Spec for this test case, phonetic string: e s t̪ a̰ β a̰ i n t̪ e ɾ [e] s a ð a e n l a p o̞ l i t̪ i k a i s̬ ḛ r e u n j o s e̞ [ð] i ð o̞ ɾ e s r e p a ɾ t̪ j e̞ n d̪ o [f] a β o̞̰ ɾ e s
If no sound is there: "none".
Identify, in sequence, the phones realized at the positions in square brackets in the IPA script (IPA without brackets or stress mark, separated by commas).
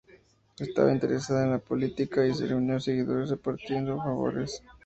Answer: e, ɣ, f